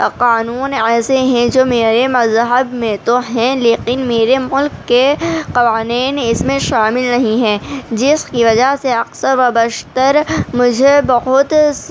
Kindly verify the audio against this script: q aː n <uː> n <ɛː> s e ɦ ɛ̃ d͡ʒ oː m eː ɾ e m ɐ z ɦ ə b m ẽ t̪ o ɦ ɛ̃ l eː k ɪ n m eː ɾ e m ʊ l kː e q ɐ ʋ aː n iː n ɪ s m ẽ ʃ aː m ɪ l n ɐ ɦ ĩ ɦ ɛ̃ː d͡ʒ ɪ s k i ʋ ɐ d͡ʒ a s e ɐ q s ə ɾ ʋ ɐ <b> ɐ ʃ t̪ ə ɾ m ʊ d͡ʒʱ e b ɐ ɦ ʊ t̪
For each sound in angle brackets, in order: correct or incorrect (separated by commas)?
correct, correct, correct